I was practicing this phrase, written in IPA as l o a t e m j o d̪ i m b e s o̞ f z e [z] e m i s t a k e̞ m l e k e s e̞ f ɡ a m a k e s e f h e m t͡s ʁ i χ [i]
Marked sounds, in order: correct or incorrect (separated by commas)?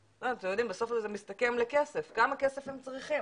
correct, correct